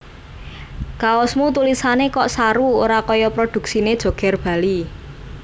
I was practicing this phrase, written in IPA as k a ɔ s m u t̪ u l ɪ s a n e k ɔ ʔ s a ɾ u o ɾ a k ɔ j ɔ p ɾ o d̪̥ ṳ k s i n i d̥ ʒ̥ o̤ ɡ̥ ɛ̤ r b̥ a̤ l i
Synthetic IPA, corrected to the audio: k a ɔ s m u t̪ u l i s a n e k ɔ ʔ s a ɾ u o ɾ a k ɔ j ɔ p ɾ o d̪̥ ṳ k s i n e d̥ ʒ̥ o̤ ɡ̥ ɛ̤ r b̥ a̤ l i